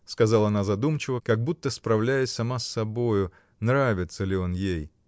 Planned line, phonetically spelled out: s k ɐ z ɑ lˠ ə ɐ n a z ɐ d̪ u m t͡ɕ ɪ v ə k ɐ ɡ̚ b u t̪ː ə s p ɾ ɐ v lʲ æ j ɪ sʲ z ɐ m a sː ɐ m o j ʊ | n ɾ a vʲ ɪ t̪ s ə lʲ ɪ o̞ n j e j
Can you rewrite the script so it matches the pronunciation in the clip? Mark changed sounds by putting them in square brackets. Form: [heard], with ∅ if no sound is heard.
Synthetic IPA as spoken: s k ɐ z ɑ lˠ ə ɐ n a z ɐ d̪ u m t͡ɕ ɪ v ə k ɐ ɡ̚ b u t̪ː ə s p ɾ ɐ v lʲ æ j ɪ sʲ [s] ɐ m a sː ɐ [b] o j ʊ | n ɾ a vʲ ɪ t̪ s ə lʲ ɪ o̞ n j e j

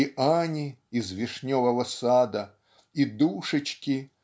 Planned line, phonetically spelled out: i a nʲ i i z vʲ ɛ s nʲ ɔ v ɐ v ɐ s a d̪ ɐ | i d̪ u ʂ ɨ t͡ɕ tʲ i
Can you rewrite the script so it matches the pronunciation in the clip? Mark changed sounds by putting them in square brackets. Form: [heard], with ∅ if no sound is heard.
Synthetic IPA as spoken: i a nʲ i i z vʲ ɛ [ʂ] nʲ ɔ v ɐ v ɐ s a d̪ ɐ | i d̪ u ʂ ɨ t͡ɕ [kʲ] i

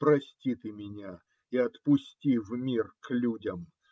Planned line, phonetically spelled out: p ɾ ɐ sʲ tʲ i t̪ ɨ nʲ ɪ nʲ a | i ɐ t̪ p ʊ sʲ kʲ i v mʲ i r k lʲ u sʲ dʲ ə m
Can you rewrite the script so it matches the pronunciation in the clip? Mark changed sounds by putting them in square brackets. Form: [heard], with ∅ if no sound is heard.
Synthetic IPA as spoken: p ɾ ɐ sʲ tʲ i t̪ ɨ [mʲ] ɪ nʲ a | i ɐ t̪ p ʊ sʲ [tʲ] i v mʲ i r k lʲ u [∅] dʲ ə m

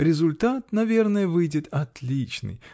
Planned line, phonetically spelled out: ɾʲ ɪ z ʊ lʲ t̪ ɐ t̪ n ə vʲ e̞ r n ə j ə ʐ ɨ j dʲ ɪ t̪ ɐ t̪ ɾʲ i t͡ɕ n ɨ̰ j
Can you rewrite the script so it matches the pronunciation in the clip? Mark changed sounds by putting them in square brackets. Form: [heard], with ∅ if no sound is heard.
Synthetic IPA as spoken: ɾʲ ɪ z ʊ lʲ t̪ [a] t̪ n [ɐ] vʲ e̞ r n ə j ə [v] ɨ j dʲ ɪ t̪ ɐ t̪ [lʲ] i t͡ɕ n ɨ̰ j

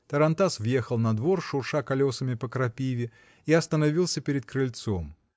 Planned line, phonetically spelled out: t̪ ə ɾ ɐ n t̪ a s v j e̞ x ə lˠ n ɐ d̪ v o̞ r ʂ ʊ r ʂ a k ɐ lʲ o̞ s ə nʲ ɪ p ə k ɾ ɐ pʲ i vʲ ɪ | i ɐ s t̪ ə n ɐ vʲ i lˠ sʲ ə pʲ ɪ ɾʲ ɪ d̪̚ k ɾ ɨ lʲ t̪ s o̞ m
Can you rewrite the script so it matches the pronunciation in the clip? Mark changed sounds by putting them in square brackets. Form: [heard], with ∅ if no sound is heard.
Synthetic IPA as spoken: t̪ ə ɾ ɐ n t̪ a s v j e̞ x ə lˠ n ɐ d̪ v o̞ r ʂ ʊ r ʂ a k ɐ lʲ o̞ s ə [mʲ] ɪ p ə k ɾ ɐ pʲ i vʲ ɪ | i ɐ s t̪ ə n ɐ vʲ i lˠ sʲ ə pʲ ɪ ɾʲ ɪ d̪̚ k ɾ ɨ lʲ t̪ s o̞ m

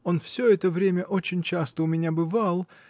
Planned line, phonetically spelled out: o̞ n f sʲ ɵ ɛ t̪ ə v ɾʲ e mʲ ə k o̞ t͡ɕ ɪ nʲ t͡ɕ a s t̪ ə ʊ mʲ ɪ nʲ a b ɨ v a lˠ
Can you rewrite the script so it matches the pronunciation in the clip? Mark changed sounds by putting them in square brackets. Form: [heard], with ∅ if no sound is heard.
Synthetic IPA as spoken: o̞ n f sʲ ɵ ɛ t̪ ə v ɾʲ e mʲ ə [ʔ] o̞ t͡ɕ ɪ nʲ t͡ɕ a s t̪ ə ʊ mʲ ɪ nʲ a b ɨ v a lˠ

